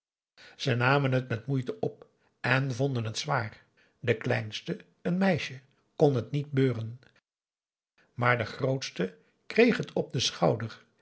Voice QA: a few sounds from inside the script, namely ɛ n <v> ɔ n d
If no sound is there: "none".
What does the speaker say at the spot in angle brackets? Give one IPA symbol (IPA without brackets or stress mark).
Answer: v